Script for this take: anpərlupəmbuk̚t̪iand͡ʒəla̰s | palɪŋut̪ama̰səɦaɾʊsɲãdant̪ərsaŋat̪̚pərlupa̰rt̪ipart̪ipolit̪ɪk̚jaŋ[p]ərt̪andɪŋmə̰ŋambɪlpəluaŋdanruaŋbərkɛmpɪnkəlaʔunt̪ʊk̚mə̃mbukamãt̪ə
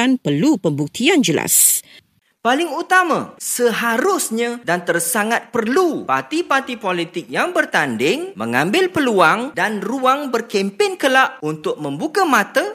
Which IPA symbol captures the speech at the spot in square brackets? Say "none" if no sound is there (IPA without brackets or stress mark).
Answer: b